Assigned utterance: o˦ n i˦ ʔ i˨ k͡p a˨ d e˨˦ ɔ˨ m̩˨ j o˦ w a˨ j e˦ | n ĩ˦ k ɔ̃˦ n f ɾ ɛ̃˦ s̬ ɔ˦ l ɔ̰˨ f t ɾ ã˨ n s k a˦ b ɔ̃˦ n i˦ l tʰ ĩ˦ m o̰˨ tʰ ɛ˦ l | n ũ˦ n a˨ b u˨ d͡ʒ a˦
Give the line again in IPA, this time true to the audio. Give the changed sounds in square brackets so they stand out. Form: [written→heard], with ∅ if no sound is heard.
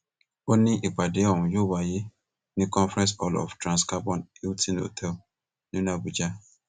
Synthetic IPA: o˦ n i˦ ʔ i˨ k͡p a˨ d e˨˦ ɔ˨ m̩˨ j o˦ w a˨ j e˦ | n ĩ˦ k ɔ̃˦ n f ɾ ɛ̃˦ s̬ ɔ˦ l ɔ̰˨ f t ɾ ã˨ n s k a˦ b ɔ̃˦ n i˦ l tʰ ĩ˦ [m→n] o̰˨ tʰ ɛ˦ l | n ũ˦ n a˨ b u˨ d͡ʒ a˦

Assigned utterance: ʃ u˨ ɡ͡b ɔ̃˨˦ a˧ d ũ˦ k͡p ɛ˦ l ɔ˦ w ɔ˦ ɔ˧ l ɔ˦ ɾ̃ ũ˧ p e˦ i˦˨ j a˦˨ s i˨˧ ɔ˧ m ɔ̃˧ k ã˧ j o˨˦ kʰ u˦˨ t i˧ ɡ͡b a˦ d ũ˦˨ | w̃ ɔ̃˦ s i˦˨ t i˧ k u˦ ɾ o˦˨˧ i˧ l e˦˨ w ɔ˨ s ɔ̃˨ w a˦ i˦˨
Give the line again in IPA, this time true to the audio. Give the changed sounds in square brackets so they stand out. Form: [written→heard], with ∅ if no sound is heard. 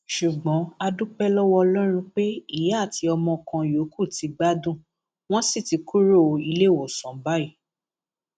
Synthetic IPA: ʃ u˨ ɡ͡b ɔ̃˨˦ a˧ d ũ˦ k͡p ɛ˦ l ɔ˦ w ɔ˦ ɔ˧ l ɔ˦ ɾ̃ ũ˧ [p→k͡p] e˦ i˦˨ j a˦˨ [s→t] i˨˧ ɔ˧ m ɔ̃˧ k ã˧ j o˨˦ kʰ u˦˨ t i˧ ɡ͡b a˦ d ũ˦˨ | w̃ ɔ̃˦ s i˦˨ t i˧ k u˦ ɾ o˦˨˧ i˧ l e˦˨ w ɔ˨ s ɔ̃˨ [w→b] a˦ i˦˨

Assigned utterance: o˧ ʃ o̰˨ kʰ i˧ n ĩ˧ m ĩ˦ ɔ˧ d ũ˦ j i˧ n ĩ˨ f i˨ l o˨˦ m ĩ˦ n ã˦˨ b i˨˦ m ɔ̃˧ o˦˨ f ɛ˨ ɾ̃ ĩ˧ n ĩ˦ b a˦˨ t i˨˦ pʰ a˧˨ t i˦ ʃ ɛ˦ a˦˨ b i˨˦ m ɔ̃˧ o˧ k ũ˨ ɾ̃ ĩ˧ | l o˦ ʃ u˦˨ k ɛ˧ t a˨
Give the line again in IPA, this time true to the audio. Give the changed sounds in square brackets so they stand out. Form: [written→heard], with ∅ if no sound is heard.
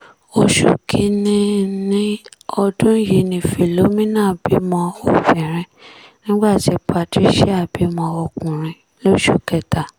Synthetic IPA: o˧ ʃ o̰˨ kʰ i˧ n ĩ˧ [m→n] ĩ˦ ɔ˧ d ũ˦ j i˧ n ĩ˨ f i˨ l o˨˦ m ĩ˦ n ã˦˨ b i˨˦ m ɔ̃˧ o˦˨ f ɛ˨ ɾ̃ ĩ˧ n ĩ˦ [b→ɡ͡b] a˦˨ t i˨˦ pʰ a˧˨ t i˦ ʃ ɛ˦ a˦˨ b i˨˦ m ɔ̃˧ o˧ k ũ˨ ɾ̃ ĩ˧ | l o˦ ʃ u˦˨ k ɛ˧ t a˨

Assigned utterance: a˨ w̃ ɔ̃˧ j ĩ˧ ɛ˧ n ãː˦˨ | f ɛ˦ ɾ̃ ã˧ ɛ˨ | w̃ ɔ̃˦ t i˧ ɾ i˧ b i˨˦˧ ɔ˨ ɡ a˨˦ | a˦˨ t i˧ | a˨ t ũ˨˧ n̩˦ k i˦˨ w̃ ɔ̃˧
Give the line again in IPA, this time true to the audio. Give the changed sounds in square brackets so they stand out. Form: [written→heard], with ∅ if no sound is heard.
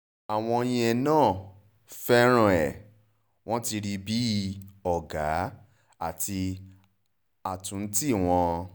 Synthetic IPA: a˨ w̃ ɔ̃˧ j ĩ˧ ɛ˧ n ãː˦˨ | f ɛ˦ ɾ̃ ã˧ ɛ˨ | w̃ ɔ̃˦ t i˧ ɾ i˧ b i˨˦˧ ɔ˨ ɡ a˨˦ | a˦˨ t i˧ | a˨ t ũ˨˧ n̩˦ [k→t] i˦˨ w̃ ɔ̃˧

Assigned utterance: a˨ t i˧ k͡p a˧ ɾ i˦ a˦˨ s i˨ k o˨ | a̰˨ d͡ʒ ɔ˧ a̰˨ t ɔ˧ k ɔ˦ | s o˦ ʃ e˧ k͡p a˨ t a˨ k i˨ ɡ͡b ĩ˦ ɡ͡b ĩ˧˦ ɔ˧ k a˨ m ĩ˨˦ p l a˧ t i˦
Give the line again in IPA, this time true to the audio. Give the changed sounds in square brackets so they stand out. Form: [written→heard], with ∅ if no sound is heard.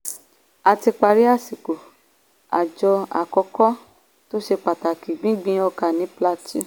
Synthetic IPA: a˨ t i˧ k͡p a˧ ɾ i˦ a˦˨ s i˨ k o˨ | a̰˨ d͡ʒ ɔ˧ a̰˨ [t→k] ɔ˧ k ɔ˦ | [s→t] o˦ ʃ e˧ k͡p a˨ t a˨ k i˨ ɡ͡b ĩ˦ ɡ͡b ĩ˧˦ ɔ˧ k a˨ [m→n] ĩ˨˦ p l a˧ t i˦

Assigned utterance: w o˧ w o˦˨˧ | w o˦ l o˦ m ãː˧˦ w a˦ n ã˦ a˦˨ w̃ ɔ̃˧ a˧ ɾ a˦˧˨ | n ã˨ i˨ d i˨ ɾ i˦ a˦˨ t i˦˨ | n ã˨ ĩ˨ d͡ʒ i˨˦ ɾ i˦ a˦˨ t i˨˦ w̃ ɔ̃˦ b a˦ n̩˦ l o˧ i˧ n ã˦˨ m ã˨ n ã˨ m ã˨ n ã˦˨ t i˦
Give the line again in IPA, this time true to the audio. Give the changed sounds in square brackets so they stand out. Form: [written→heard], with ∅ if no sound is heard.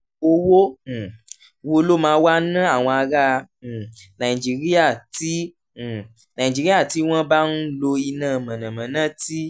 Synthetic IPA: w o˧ w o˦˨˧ | w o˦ l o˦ m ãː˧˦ w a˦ n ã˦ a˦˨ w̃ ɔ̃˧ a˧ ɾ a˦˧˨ | n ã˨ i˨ [d→d͡ʒ] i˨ ɾ i˦ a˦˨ t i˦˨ | n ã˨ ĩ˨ d͡ʒ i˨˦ ɾ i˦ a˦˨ t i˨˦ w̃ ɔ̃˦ b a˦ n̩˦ l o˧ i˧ n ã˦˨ m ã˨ n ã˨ m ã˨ n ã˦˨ t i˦

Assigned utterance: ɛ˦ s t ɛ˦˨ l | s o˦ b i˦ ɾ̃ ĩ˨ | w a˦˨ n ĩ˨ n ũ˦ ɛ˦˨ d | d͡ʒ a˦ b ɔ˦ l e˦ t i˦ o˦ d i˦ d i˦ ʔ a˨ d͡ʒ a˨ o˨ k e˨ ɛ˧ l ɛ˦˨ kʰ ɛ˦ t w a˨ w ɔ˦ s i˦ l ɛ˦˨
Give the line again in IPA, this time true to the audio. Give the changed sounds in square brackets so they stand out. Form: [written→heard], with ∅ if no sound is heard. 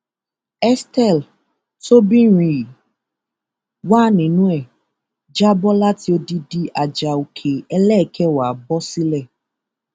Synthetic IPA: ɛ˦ s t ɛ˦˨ l | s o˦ b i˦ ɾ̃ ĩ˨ | w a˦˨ n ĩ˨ n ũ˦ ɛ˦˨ [d→∅] | d͡ʒ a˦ b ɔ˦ l [e˦→a˦] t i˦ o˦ d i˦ d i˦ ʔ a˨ d͡ʒ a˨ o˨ [k→kʰ] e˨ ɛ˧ l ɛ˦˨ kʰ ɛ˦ [t→∅] w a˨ [w→b] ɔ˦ s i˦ l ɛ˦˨

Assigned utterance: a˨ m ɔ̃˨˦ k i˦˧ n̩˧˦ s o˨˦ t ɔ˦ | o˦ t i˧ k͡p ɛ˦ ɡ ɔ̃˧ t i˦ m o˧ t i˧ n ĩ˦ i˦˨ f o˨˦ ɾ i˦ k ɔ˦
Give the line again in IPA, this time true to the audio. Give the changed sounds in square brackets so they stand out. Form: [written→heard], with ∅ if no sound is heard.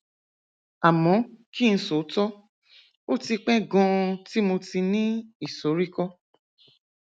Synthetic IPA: a˨ m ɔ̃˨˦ k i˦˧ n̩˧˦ s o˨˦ t ɔ˦ | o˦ t i˧ k͡p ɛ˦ ɡ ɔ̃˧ t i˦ m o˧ t i˧ n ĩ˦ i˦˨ [f→s] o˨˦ ɾ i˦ k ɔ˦

